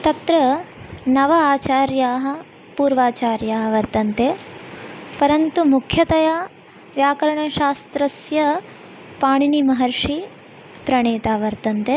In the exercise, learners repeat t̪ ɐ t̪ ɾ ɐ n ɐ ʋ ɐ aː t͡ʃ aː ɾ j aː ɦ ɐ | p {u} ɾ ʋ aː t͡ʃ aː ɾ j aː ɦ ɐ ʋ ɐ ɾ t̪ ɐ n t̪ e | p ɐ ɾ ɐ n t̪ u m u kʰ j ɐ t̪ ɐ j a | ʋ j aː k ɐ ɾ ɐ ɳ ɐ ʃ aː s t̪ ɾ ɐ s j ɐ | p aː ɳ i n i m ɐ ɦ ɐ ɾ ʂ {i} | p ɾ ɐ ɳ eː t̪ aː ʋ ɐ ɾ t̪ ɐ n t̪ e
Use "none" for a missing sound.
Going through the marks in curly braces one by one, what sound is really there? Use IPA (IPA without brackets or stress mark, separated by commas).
uː, i